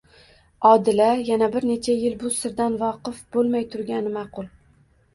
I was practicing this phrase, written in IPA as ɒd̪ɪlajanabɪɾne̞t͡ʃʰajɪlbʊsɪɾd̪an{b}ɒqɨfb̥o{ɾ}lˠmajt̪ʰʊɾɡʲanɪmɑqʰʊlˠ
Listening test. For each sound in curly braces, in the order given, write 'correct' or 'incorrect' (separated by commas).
incorrect, incorrect